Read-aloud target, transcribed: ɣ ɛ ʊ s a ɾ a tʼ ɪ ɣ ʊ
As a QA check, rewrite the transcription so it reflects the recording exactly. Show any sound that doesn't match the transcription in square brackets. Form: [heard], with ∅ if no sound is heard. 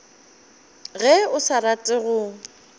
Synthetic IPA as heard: ɣ ɛ ʊ s a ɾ a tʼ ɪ ɣ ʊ